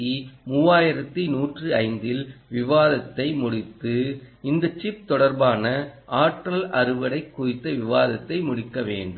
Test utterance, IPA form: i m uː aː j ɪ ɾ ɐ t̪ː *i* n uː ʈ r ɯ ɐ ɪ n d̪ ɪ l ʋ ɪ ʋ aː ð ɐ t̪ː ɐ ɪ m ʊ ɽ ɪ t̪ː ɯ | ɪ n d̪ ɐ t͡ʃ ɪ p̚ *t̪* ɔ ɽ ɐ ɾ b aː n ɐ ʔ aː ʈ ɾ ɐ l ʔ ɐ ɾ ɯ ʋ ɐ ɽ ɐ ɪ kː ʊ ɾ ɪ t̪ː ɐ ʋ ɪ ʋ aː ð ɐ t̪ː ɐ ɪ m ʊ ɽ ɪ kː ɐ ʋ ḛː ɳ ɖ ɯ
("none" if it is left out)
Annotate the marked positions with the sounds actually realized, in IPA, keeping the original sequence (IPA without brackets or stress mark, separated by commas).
i, t̪